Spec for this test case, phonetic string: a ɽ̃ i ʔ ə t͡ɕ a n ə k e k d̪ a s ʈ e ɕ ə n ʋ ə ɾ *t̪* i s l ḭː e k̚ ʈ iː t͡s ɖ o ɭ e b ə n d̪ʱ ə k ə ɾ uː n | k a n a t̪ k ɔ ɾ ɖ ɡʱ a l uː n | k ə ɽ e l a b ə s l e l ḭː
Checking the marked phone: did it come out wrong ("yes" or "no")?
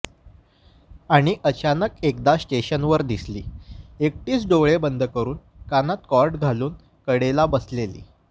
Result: yes